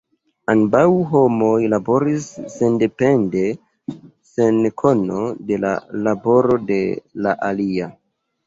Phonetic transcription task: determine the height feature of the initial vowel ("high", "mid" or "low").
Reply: low